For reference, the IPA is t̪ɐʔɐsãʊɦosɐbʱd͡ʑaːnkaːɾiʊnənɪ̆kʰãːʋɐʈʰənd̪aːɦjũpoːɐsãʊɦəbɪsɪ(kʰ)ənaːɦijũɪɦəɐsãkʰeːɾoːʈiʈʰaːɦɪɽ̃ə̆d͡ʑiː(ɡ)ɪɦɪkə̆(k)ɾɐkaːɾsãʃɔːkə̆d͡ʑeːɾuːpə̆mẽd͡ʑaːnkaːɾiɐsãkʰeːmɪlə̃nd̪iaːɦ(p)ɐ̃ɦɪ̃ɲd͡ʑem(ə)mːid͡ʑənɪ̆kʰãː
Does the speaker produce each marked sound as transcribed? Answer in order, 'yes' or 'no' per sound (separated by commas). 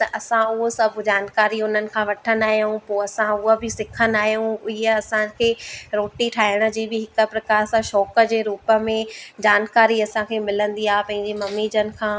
yes, no, no, yes, no